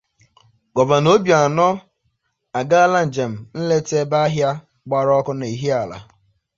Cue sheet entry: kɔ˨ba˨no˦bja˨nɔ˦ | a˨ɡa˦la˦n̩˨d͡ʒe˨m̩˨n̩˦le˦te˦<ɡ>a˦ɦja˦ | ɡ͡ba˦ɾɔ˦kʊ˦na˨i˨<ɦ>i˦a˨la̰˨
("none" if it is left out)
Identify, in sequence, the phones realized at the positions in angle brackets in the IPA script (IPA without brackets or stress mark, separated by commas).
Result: b, ɦ